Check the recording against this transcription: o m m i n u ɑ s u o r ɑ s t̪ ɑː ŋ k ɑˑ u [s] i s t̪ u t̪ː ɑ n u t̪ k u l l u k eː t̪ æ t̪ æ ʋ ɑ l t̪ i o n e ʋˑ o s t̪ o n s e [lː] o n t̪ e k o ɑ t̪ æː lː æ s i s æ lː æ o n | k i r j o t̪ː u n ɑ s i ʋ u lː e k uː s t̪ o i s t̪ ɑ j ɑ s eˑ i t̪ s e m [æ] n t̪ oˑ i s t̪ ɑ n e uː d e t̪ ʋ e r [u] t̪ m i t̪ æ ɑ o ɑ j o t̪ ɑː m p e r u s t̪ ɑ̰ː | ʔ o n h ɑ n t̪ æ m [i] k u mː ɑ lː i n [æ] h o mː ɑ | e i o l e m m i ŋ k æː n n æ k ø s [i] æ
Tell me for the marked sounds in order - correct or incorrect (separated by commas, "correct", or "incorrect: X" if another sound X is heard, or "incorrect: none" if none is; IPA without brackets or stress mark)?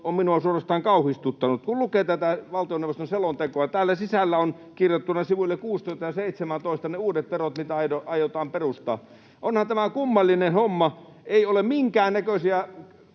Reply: incorrect: h, incorrect: l, correct, incorrect: o, incorrect: æ, incorrect: e, correct